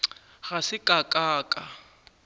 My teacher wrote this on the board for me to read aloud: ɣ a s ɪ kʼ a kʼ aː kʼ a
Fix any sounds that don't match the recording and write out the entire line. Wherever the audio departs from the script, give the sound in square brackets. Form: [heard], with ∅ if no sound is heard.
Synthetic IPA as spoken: ɣ a s ɪ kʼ a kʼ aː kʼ a